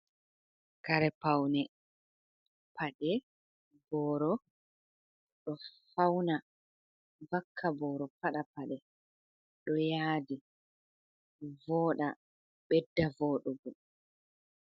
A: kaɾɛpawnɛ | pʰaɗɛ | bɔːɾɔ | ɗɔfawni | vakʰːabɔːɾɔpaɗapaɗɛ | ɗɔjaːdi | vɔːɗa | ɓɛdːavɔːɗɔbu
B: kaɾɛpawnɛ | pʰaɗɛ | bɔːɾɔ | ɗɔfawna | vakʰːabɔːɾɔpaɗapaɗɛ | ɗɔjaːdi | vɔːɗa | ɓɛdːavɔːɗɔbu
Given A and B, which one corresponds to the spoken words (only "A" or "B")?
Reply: B